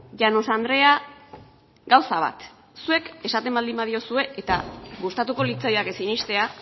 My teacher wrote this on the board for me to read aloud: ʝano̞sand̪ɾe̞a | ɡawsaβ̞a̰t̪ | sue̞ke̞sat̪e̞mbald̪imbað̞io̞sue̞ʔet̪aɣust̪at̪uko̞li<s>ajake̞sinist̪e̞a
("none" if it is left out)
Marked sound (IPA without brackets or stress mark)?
t͡s